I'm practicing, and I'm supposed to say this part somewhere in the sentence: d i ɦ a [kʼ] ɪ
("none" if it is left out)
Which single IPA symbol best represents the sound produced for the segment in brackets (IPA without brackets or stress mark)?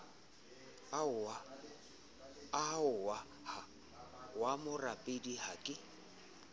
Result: kʼ